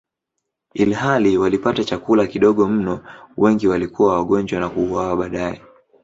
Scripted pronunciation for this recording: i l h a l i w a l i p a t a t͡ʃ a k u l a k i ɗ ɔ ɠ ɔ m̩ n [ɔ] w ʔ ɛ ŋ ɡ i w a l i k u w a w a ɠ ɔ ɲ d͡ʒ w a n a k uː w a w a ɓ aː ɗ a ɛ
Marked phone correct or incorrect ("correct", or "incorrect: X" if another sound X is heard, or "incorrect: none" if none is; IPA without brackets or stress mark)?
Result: correct